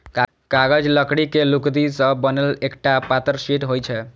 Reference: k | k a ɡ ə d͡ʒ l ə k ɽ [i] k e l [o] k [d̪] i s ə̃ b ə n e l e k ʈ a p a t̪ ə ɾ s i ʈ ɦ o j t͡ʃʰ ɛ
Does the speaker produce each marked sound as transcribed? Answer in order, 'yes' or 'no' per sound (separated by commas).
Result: yes, no, yes